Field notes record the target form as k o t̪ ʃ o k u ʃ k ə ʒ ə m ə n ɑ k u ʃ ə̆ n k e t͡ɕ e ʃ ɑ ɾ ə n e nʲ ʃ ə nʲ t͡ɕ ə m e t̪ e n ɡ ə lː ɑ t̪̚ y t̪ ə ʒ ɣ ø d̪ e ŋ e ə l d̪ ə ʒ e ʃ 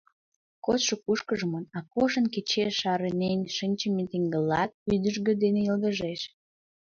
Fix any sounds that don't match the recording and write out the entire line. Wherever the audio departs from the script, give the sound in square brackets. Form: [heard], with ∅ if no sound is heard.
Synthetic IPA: k o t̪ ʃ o k u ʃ k ə ʒ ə m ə n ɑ k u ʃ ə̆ n k e t͡ɕ e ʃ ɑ ɾ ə n e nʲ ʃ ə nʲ t͡ɕ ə m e t̪ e [ŋ] ɡ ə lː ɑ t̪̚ y [d̪] ə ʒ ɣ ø d̪ e [n] e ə l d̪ ə ʒ e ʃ